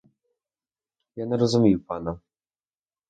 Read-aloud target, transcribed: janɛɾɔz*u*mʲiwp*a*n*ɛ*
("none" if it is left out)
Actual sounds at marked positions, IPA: u, a, a

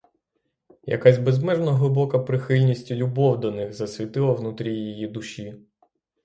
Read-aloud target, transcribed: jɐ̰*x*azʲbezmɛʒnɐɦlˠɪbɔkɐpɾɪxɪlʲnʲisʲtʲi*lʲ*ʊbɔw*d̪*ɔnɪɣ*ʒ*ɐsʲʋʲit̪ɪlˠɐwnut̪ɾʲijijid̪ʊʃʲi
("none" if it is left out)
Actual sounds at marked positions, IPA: k, lʲ, d̪, z

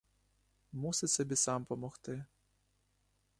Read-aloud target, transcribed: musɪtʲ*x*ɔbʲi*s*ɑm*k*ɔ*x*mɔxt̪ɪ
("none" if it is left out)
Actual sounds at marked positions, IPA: s, s, p, none

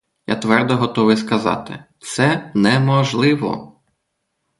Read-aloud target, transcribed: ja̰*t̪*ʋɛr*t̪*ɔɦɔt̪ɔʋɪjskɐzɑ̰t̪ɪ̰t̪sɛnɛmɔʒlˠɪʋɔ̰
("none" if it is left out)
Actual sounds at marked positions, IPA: t̪, d̪

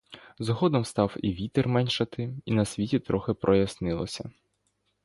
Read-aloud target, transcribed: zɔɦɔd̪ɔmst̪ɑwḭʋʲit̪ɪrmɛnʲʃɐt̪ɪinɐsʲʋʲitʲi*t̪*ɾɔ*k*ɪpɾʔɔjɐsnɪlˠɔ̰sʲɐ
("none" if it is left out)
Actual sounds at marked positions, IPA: t̪, x

